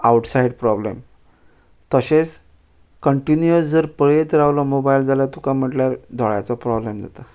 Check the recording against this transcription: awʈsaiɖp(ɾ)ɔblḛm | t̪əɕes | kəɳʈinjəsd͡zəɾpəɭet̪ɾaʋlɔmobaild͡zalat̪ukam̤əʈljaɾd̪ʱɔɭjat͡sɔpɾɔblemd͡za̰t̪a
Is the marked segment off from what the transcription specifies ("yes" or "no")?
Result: no